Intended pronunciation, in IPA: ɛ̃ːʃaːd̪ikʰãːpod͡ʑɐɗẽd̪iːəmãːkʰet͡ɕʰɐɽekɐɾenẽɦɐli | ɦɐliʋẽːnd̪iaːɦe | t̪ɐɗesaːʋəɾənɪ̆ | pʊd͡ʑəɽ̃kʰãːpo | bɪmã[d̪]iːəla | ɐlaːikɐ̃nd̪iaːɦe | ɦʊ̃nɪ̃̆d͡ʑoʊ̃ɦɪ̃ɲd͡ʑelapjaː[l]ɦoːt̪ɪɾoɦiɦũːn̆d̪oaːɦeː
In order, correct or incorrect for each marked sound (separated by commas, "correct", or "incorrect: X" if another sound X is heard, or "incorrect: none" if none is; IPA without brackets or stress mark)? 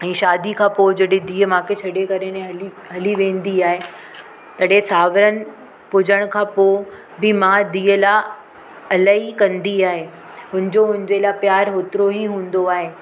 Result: correct, incorrect: ɾ